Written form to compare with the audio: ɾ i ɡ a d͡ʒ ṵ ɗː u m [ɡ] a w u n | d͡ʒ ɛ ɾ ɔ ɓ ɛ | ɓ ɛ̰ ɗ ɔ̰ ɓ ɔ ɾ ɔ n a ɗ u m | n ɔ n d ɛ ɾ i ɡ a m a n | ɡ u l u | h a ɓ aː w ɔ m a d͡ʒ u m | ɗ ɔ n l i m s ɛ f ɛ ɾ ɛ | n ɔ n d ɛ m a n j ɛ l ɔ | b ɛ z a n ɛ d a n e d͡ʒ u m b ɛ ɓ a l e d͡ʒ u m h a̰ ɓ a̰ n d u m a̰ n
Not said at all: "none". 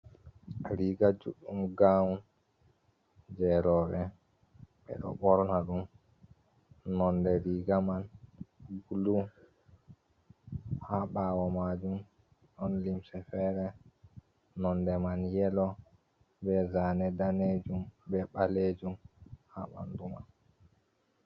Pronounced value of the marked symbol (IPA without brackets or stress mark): ɡ